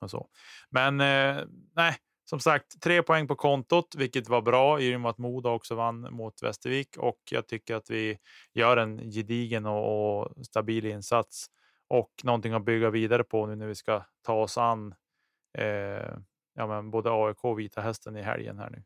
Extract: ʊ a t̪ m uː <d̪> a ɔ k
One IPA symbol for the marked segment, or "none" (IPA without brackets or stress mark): d̪